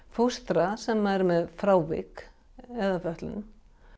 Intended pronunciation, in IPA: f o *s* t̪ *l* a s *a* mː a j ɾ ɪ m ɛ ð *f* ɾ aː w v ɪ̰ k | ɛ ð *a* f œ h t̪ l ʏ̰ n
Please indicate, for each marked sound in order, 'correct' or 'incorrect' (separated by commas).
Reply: correct, incorrect, incorrect, correct, correct